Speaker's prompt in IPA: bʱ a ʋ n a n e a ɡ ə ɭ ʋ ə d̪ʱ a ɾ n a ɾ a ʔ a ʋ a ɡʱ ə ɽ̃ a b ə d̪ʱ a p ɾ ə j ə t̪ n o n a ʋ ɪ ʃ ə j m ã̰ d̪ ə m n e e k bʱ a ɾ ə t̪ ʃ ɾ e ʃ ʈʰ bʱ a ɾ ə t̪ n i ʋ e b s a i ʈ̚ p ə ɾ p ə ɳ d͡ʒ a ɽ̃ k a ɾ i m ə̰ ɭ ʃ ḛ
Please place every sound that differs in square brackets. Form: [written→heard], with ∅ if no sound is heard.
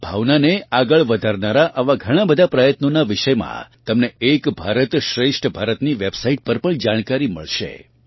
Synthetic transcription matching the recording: bʱ a ʋ n a n e a ɡ ə ɭ ʋ ə d̪ʱ a ɾ n a ɾ a ʔ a ʋ a ɡʱ ə ɽ̃ a b ə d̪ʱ a p ɾ ə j ə t̪ n o n a ʋ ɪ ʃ ə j m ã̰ [d̪→t̪] ə m n e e k bʱ a ɾ ə t̪ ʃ ɾ e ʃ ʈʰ bʱ a ɾ ə t̪ n i ʋ e b s a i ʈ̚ p ə ɾ p ə ɳ d͡ʒ a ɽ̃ k a ɾ i m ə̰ ɭ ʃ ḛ